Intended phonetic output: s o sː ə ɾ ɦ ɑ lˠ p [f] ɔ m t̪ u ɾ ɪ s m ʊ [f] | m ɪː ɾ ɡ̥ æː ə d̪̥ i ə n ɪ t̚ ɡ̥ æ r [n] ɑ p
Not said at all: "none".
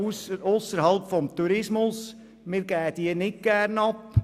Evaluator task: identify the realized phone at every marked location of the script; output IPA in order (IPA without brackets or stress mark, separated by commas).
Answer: f, s, n